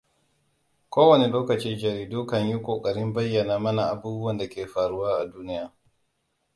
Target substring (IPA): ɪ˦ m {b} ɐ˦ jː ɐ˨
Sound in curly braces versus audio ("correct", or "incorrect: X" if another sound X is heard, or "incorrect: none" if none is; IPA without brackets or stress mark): correct